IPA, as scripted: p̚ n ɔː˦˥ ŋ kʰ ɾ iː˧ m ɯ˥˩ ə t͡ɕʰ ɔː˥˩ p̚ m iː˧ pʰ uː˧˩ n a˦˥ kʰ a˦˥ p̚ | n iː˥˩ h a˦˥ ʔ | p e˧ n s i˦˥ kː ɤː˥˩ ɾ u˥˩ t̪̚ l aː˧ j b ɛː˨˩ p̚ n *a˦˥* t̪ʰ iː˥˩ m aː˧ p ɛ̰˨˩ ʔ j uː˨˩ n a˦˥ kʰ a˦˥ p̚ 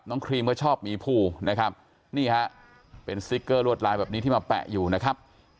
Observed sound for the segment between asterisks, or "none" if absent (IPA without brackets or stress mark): i˦˥